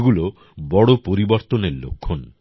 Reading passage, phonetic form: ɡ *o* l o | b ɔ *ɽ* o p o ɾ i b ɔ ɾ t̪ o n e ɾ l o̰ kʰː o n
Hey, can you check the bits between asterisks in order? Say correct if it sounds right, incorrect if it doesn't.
incorrect: u, correct

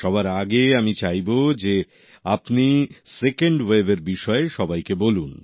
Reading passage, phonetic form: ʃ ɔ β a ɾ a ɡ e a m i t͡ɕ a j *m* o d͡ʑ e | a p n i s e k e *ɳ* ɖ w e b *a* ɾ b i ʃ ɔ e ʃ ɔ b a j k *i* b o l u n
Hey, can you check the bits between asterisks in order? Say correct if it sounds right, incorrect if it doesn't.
incorrect: b, correct, incorrect: e, incorrect: e

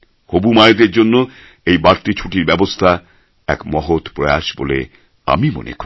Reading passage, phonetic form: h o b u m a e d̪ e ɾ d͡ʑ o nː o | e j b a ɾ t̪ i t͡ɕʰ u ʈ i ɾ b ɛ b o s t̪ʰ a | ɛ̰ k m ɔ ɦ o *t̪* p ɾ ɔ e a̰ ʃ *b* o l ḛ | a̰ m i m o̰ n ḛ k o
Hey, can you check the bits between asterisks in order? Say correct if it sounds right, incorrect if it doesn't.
correct, correct

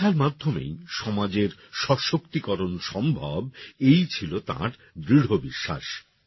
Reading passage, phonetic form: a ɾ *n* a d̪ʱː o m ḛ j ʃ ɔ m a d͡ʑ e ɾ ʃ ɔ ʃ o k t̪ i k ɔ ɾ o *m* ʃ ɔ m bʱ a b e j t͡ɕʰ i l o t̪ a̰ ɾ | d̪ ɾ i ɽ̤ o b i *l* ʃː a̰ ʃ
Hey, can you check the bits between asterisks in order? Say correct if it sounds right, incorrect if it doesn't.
incorrect: m, incorrect: n, incorrect: none

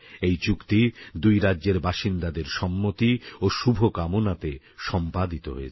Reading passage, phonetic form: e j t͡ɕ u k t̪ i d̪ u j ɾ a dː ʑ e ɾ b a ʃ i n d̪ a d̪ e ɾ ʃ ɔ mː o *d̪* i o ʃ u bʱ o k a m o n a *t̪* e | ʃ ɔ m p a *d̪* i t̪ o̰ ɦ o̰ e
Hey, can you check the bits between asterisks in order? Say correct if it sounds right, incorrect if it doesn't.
incorrect: t̪, correct, correct

